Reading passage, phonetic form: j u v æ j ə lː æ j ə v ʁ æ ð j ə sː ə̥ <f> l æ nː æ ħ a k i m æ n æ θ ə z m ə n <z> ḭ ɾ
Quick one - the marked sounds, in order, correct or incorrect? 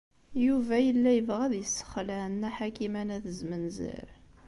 incorrect: χ, correct

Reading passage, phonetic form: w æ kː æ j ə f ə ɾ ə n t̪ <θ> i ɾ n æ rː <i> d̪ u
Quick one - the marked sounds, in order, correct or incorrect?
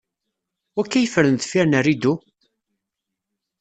incorrect: f, correct

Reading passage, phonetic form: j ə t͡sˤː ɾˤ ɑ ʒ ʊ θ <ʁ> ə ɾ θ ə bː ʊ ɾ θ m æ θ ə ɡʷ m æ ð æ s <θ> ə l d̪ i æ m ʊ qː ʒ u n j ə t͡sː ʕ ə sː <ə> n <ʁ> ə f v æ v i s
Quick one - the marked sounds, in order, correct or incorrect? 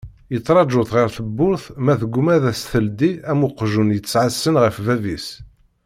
correct, correct, correct, correct

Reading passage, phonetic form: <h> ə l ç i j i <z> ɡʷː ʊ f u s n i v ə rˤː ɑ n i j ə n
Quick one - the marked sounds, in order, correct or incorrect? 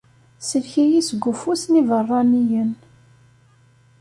incorrect: s, incorrect: s

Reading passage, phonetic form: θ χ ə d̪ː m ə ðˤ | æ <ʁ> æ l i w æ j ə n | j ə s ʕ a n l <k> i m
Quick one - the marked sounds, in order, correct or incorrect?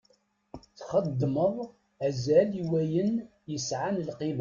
incorrect: z, incorrect: q

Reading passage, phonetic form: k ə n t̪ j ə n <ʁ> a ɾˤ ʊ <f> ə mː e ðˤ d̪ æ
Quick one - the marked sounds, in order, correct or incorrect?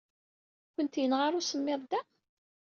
correct, incorrect: s

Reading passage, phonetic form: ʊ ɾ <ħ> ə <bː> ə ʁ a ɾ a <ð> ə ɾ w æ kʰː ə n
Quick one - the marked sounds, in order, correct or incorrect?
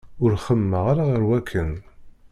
incorrect: χ, incorrect: mː, incorrect: ʁ

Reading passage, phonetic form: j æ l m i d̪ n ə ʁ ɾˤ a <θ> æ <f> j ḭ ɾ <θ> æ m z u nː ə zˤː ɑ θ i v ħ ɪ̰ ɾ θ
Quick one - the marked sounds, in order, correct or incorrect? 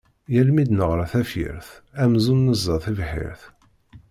correct, correct, correct

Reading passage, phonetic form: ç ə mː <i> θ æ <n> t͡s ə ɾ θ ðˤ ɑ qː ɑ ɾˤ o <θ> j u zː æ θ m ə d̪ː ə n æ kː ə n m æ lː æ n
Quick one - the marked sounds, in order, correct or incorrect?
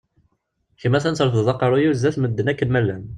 incorrect: æ, correct, incorrect: none

